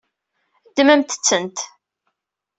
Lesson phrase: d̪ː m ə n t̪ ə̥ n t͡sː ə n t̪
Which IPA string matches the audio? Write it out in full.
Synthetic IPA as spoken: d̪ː m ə m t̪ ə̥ t͡sː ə n t̪